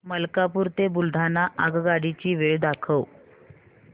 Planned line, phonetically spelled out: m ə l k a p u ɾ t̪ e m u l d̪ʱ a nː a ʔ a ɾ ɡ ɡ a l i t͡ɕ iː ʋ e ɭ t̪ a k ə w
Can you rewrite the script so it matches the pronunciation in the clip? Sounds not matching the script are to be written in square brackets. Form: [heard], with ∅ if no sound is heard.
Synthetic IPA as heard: m ə l k a p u ɾ t̪ e [b] u l d̪ʱ a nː a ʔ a [∅] ɡ ɡ a [ɽ] i t͡ɕ iː ʋ e ɭ [d̪] a [kʰ] ə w